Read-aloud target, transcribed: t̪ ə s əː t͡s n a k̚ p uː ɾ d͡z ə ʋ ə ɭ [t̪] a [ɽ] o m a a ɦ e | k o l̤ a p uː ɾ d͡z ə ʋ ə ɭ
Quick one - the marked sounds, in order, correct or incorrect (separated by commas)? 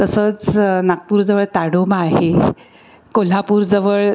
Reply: correct, correct